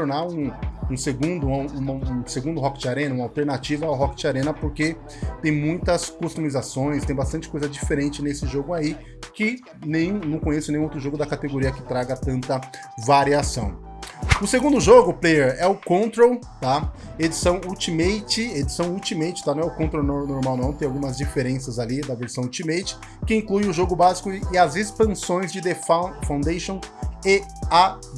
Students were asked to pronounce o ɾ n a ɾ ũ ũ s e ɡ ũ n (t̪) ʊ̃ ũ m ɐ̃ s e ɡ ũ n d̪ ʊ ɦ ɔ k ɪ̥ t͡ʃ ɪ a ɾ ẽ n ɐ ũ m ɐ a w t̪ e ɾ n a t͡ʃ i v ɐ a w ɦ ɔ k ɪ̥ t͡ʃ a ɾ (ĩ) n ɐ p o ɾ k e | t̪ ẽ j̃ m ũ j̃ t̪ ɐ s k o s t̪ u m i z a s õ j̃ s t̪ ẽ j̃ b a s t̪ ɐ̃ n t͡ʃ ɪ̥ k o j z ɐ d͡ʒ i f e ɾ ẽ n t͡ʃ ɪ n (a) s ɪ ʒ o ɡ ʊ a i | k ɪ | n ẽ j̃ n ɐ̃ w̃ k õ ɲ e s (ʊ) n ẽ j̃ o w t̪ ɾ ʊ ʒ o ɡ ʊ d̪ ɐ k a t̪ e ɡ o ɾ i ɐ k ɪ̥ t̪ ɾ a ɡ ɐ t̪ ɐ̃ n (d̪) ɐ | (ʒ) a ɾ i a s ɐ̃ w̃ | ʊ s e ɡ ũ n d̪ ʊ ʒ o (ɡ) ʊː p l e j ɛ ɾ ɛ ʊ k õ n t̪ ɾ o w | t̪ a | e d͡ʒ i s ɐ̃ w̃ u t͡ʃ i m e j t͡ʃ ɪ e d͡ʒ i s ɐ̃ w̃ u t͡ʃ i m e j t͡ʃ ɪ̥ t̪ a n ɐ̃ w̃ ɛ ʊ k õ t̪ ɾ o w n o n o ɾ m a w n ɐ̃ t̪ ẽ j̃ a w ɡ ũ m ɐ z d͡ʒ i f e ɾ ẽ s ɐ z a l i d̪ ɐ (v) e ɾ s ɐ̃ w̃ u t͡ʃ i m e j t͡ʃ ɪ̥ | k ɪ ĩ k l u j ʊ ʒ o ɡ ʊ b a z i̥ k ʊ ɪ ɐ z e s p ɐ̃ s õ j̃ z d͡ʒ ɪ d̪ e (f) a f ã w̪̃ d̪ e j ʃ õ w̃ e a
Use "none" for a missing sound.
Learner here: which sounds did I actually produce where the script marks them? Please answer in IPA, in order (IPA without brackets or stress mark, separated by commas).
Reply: d̪, ẽ, e, ʊ, t̪, v, ɡ, v, f